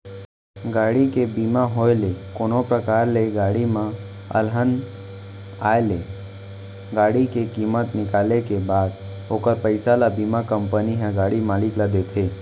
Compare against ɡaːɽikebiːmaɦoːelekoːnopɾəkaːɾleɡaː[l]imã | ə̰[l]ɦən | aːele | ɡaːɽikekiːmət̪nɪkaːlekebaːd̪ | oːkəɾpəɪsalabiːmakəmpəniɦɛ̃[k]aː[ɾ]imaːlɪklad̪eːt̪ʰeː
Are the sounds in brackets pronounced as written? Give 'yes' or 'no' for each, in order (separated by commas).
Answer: no, yes, no, no